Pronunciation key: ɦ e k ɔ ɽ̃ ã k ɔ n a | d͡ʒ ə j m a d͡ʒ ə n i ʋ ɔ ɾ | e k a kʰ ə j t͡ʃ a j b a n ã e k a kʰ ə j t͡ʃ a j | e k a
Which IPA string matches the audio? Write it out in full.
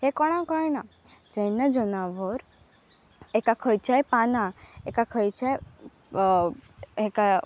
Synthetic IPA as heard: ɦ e k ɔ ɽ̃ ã k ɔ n a | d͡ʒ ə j n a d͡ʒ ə n a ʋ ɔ ɾ | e k a kʰ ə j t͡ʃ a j p a n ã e k a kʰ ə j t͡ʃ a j | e k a